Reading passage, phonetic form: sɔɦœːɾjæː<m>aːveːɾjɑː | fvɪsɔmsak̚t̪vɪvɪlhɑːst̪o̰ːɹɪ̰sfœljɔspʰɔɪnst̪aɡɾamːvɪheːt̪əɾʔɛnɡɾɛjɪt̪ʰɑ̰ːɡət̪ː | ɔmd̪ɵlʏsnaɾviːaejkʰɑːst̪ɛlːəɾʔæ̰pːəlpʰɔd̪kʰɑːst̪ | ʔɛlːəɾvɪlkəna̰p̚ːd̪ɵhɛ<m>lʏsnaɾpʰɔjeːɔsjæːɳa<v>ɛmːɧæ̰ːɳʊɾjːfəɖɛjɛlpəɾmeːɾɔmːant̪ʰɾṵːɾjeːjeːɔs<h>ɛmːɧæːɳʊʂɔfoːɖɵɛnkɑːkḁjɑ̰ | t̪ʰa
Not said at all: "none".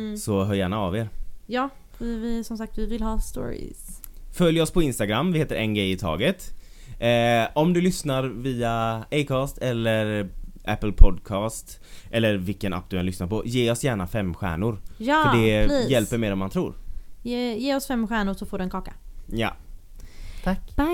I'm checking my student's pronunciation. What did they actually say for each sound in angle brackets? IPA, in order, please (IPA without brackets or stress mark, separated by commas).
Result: ɳ, n, f, f